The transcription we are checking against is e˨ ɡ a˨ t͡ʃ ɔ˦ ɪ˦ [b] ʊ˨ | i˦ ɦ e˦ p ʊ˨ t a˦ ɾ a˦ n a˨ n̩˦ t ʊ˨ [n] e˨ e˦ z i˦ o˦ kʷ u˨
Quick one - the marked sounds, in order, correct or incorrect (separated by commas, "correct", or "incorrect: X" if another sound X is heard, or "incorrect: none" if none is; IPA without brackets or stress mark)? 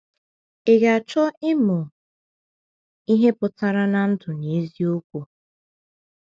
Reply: incorrect: m, correct